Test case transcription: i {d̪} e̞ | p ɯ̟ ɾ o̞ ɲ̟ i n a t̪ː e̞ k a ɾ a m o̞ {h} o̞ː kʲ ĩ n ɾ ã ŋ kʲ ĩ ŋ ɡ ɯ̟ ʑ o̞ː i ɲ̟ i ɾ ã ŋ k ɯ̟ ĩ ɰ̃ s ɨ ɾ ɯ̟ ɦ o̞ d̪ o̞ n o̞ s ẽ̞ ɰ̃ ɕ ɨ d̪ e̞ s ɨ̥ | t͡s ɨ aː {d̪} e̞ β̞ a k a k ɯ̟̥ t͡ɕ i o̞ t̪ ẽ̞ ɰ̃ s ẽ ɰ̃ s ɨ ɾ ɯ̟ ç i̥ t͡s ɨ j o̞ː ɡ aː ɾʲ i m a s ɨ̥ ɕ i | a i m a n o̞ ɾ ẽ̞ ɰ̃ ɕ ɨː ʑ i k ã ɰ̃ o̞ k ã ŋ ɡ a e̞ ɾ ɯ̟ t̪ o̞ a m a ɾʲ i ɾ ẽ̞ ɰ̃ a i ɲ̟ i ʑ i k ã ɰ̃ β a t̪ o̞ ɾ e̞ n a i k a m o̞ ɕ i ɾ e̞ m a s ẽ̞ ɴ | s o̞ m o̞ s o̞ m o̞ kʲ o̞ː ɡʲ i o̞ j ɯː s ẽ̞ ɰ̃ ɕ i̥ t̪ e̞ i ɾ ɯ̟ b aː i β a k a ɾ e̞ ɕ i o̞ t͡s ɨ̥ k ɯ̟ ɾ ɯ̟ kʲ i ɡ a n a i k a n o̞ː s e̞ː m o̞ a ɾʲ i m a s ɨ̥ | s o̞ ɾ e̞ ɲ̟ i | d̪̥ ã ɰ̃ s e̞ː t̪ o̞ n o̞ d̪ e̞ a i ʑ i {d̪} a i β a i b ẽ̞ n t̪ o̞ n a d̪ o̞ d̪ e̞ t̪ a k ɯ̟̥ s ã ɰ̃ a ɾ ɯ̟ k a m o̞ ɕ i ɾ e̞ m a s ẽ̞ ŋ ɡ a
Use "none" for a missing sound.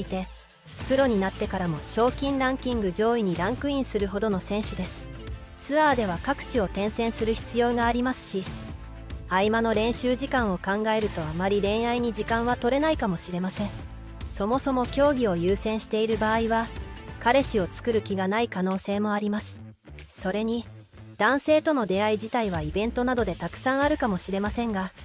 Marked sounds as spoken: t̪, ɕ, d̪, t̪

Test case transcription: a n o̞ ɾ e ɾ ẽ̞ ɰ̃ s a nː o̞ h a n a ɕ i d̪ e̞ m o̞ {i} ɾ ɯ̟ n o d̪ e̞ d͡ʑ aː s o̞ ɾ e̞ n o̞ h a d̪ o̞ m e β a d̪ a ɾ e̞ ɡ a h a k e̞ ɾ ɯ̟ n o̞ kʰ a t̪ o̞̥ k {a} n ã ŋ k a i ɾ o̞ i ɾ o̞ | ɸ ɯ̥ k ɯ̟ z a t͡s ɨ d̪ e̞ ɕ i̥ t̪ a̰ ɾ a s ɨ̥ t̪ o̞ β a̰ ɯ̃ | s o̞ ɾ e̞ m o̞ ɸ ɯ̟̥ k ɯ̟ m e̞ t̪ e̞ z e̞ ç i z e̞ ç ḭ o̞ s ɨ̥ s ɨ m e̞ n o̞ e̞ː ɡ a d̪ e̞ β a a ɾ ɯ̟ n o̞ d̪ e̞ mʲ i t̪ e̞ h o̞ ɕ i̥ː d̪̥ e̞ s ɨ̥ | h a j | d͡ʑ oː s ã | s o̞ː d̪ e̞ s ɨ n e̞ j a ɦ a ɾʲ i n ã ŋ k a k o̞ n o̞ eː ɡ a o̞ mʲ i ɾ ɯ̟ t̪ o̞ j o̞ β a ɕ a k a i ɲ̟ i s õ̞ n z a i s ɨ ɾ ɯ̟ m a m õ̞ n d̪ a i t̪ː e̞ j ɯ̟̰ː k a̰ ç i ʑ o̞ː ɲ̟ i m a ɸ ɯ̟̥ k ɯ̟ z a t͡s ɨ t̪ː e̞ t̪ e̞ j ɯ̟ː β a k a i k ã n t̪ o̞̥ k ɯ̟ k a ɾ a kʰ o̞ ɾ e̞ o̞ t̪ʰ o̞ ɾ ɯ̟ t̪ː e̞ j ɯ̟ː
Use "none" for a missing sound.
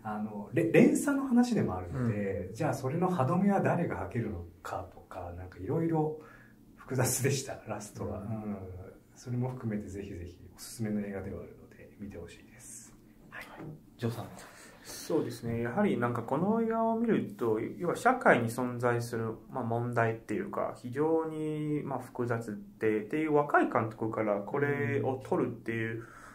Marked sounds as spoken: a, a

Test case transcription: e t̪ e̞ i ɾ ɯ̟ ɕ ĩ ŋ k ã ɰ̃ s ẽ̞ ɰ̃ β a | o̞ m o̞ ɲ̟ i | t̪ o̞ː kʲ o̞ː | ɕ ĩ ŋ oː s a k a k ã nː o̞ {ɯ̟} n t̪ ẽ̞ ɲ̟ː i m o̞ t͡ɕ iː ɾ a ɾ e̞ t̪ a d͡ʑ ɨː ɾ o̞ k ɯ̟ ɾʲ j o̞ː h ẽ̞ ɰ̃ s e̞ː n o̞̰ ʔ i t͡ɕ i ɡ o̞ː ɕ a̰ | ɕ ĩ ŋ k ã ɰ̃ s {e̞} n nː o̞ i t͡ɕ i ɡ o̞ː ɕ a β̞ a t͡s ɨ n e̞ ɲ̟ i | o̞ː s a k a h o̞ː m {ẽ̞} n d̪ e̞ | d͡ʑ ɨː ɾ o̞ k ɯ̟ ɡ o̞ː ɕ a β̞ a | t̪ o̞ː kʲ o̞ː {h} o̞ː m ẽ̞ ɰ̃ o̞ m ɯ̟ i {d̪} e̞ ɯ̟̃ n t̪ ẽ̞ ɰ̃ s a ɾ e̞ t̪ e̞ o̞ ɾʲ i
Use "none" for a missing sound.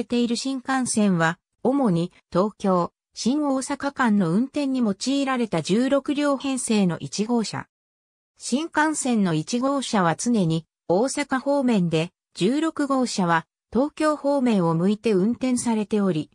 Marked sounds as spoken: ɯ̟̃, ẽ̞, ẽ̞, h, t̪

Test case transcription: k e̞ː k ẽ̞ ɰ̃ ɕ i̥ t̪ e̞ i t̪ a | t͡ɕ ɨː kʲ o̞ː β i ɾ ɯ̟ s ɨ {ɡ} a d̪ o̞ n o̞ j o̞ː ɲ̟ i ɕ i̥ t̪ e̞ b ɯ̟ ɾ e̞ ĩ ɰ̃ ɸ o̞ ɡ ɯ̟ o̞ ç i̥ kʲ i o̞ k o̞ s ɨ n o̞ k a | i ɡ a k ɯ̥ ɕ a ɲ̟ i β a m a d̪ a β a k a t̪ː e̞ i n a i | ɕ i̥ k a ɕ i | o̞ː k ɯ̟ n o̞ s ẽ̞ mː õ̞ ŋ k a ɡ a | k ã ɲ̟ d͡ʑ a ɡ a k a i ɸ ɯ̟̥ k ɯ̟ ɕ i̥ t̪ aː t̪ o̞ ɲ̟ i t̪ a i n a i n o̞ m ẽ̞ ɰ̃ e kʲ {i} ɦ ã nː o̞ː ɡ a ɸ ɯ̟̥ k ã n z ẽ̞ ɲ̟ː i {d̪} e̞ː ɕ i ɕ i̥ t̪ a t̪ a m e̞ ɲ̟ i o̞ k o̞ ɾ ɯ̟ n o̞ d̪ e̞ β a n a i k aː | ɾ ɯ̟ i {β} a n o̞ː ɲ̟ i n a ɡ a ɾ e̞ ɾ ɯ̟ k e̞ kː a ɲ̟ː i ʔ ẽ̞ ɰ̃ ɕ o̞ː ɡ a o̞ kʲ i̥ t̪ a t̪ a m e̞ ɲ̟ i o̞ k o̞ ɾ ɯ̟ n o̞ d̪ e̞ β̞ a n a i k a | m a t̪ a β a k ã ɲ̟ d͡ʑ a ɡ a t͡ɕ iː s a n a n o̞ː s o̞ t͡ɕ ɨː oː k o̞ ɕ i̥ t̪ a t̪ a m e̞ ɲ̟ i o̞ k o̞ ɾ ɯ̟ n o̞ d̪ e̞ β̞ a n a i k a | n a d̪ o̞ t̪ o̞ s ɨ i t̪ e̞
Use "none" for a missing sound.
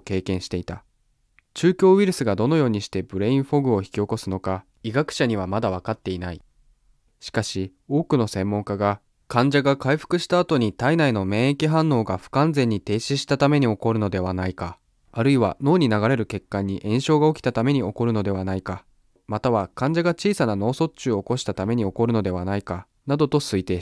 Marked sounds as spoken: ɡ, i, t̪, β

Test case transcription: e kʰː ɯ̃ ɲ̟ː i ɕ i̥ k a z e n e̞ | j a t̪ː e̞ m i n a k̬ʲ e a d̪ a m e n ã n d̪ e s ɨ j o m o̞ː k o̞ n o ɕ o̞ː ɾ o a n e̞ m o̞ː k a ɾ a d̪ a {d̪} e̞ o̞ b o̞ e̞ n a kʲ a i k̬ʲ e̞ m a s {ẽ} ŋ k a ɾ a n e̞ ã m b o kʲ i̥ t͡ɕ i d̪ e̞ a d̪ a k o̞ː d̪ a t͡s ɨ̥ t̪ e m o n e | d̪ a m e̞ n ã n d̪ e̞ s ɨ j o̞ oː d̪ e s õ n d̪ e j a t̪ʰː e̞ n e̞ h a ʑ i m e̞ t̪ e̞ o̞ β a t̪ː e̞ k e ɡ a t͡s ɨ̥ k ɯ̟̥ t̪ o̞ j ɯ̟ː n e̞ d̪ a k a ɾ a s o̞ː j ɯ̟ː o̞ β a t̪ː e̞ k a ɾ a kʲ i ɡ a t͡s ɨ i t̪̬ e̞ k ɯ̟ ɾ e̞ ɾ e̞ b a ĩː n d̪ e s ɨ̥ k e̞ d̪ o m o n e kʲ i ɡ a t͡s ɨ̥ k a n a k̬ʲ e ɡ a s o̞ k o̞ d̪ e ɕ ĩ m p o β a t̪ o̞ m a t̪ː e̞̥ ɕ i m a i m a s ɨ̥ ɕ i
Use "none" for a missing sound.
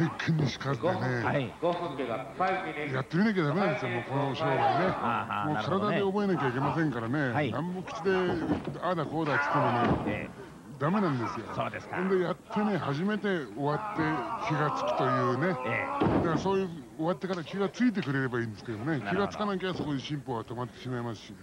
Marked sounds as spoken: d̪, ẽ

